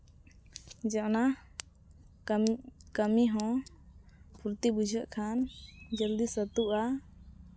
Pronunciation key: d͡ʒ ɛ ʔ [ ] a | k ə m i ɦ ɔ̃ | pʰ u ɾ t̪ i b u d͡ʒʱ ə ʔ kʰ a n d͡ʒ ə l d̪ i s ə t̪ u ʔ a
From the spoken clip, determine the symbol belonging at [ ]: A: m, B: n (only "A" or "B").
B